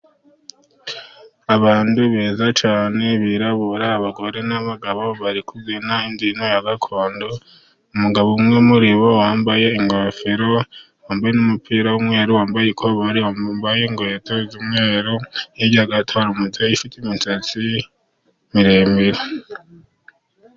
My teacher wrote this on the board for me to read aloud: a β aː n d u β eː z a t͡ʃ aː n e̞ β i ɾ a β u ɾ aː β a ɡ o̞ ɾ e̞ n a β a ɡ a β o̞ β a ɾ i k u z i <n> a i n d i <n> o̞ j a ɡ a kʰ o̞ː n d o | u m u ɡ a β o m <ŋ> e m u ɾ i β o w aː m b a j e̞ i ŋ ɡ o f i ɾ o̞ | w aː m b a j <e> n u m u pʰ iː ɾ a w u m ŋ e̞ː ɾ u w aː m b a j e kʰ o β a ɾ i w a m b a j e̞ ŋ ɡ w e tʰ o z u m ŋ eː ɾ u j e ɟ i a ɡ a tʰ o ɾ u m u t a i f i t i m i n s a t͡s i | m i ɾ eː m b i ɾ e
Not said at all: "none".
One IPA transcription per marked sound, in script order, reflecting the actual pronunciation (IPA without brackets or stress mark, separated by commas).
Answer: n, n, ŋ, e